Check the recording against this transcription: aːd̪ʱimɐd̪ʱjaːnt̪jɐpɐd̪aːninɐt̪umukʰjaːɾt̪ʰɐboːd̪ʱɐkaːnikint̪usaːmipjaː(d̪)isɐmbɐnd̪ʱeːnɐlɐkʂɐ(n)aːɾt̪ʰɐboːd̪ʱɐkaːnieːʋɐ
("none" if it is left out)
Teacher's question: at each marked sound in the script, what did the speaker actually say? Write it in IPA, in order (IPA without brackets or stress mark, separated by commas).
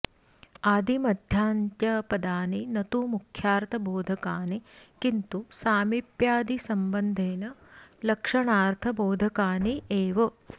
d̪, ɳ